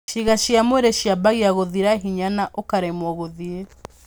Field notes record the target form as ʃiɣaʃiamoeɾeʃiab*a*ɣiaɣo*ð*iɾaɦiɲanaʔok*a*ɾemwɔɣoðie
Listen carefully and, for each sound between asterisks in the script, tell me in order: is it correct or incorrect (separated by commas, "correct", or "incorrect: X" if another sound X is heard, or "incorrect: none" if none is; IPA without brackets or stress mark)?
correct, correct, correct